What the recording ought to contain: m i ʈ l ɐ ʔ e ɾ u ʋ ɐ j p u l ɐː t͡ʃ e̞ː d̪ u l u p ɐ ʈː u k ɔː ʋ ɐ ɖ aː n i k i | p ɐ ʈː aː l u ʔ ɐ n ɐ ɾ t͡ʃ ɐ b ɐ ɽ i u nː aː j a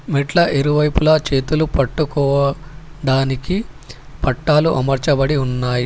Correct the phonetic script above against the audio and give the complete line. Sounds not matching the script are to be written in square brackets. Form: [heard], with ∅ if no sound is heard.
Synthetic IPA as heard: m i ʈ l ɐ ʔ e ɾ u ʋ ɐ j p u l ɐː t͡ʃ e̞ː [t̪] u l u p ɐ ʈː u k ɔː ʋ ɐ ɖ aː n i k i | p ɐ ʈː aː l u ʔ ɐ [m] ɐ ɾ t͡ʃ ɐ b ɐ ɽ i u nː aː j [i]